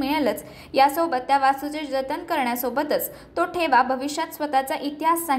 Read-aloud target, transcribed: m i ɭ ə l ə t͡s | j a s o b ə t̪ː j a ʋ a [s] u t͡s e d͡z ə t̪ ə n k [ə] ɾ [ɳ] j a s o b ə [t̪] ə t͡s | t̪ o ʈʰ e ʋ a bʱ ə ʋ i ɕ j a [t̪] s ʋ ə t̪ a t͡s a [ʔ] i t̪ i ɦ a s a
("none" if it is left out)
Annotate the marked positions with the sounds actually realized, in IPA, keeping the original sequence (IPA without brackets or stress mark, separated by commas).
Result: s, ə, ɳ, t̪, t̪, ʔ